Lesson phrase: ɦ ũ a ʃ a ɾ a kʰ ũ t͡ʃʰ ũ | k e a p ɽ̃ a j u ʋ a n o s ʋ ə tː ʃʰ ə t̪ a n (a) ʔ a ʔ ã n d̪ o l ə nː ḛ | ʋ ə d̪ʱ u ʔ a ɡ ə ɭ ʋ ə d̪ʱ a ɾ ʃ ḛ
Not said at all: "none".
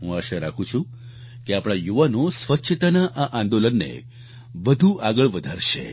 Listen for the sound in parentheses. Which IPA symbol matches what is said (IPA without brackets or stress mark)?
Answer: a